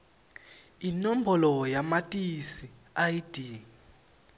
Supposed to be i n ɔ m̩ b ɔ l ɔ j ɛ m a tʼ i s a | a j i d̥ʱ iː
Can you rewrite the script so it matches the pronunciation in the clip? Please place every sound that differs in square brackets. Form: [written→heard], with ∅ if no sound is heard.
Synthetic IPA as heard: i n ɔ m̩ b ɔ l ɔ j [ɛ→a] m a tʼ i s [a→i] | a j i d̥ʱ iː